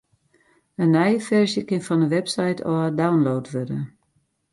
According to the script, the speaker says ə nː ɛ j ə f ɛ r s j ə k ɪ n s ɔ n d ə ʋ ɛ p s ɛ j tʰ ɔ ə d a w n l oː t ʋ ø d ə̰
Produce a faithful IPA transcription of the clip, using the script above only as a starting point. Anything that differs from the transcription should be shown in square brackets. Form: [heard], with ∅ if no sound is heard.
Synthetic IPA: ə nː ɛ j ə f ɛ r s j ə k ɪ n [f] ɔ n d ə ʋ ɛ p s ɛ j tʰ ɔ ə d a w n l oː t ʋ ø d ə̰